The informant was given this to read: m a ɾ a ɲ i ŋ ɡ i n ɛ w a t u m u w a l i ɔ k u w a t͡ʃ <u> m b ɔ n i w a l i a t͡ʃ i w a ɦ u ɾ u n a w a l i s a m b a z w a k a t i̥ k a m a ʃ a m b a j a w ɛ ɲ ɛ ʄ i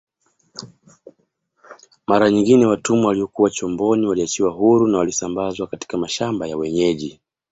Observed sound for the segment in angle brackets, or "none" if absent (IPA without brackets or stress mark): ɔ